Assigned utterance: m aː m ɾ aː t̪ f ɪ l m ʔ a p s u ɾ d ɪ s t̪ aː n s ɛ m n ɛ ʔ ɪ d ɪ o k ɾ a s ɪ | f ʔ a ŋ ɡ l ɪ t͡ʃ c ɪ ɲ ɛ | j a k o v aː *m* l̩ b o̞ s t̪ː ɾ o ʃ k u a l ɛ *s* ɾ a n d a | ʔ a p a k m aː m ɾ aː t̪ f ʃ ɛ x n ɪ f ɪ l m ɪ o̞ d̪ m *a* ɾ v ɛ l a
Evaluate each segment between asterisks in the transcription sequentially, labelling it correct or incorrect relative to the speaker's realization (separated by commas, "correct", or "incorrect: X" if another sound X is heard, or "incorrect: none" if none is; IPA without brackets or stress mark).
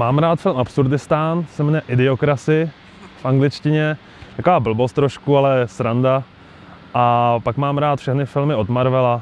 incorrect: b, correct, correct